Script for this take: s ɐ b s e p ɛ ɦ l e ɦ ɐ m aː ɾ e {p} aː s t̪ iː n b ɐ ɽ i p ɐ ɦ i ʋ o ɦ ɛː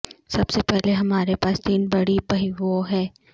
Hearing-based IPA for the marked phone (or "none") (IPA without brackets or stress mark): p